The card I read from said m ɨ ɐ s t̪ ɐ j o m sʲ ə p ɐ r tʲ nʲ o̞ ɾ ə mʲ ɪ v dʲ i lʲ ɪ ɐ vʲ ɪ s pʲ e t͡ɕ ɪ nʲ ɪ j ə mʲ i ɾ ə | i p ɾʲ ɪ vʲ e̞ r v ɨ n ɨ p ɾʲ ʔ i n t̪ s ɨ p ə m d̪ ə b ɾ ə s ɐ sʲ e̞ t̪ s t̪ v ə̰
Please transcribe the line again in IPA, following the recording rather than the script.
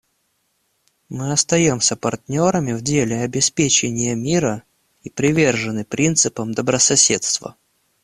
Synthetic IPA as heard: m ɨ ɐ s t̪ ɐ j o m sʲ ə p ɐ r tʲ nʲ o̞ ɾ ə mʲ ɪ v dʲ e lʲ ɪ ɐ bʲ ɪ s pʲ e t͡ɕ ɪ nʲ ɪ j ə mʲ i ɾ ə | i p ɾʲ ɪ vʲ e̞ r ʐ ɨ n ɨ p ɾʲ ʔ i n t̪ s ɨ p ə m d̪ ə b ɾ ə s ɐ sʲ e̞ t̪ s t̪ v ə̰